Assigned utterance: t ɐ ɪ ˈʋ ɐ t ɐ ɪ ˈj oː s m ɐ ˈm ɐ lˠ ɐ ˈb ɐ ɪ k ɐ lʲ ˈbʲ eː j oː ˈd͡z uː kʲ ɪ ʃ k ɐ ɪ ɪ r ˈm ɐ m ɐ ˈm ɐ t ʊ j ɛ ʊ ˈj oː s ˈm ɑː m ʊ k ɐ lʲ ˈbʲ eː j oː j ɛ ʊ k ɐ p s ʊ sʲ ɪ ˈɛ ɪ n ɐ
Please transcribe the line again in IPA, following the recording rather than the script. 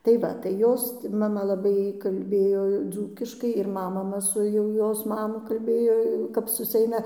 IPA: t ɐ ɪ ˈʋ ɐ t ɐ ɪ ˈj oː s m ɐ ˈm ɐ lˠ ɐ ˈb ɐ ɪ k ɐ lʲ ˈbʲ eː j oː ˈd͡z uː kʲ ɪ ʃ k ɐ ɪ ɪ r ˈm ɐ m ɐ ˈm ɐ s ʊ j ɛ ʊ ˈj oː s ˈm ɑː m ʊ k ɐ lʲ ˈbʲ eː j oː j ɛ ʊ k ɐ p s ʊ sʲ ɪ ˈɛ ɪ n ɐ

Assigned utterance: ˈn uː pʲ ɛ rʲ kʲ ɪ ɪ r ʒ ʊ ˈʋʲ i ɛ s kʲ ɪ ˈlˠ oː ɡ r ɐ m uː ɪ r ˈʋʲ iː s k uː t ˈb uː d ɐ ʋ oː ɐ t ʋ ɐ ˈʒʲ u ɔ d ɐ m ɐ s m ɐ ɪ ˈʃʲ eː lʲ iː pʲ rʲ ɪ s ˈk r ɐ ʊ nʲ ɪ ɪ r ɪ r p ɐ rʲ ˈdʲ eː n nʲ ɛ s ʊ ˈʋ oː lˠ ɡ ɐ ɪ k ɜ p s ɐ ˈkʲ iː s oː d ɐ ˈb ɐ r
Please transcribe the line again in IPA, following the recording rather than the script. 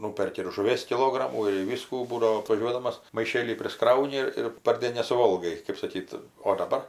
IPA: ˈn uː pʲ ɛ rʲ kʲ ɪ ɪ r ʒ ʊ ˈʋʲ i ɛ s kʲ ɪ ˈlˠ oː ɡ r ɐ m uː ɪ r ˈʋʲ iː s k uː ˈb uː d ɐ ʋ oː ɐ t ʋ ɐ ˈʒʲ u ɔ d ɐ m ɐ s m ɐ ɪ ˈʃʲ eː lʲ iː pʲ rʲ ɪ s ˈk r ɐ ʊ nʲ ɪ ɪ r ɪ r p ɐ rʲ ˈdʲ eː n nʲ ɛ s ʊ ˈʋ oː lˠ ɡ ɐ ɪ k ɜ p s ɐ ˈkʲ iː t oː d ɐ ˈb ɐ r

